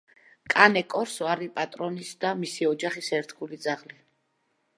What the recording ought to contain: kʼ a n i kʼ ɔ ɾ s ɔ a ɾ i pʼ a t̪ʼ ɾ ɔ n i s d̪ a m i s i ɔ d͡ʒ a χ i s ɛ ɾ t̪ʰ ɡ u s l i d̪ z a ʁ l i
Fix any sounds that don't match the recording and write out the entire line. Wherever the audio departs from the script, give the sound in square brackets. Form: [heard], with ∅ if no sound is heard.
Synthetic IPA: kʼ a n [ɛ] kʼ ɔ ɾ s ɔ a ɾ i pʼ a t̪ʼ ɾ ɔ n i s d̪ a m i s i ɔ d͡ʒ a χ i s ɛ ɾ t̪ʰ ɡ u [∅] l i d̪ z a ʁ l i